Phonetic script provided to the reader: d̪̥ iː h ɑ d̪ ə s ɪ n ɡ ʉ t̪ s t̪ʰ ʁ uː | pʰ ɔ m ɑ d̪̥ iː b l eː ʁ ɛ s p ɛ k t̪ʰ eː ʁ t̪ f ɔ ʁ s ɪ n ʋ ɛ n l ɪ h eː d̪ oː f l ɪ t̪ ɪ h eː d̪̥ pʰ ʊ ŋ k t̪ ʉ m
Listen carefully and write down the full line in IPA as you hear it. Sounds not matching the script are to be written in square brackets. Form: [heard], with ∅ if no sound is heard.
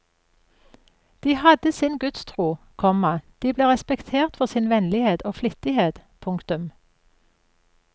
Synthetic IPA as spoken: d̪̥ iː h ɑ d̪ ə s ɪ n ɡ ʉ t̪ s t̪ʰ ʁ uː | [kʰ] ɔ m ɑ d̪̥ iː b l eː ʁ ɛ s p ɛ k t̪ʰ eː ʁ t̪ f ɔ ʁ s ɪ n ʋ ɛ n l ɪ h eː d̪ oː f l ɪ t̪ ɪ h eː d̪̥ pʰ ʊ ŋ k t̪ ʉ m